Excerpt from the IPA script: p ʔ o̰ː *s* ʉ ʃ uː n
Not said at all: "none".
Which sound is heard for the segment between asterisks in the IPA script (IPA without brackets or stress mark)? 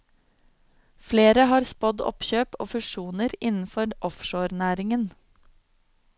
f